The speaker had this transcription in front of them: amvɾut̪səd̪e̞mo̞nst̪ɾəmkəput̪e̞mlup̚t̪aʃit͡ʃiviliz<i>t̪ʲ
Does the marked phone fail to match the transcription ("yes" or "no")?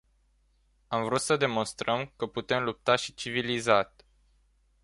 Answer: yes